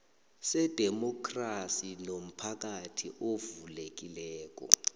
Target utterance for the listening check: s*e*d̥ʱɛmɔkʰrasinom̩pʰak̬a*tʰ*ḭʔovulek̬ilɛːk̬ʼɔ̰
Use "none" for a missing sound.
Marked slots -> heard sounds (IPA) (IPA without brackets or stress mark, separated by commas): ɛ, tʰ